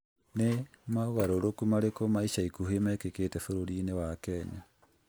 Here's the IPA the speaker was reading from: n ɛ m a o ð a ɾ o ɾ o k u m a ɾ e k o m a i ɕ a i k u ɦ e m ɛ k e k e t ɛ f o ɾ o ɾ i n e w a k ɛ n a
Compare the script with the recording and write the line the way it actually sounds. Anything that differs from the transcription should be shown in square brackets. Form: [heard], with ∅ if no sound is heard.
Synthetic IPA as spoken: n [e] m a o [ɣ] a ɾ o ɾ o k u m a ɾ e k o m a i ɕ a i k u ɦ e m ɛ k e k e t ɛ f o ɾ o ɾ i n e w a k ɛ [ɲ] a